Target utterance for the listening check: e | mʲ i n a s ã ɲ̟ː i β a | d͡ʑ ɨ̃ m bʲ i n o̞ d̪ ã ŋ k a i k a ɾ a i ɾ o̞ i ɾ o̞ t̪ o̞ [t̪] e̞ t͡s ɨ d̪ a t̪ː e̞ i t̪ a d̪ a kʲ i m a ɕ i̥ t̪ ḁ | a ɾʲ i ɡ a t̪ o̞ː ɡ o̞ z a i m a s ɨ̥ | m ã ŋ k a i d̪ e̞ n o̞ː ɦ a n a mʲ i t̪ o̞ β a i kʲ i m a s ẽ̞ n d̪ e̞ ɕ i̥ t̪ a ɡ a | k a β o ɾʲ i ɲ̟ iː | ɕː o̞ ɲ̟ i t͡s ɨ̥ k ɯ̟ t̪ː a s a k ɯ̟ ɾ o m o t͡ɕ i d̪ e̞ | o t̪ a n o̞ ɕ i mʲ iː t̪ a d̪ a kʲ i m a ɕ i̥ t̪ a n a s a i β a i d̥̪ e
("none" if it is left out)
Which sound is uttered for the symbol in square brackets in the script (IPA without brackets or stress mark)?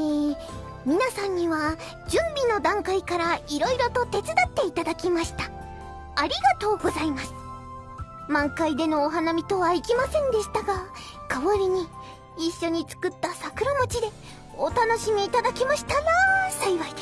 t̪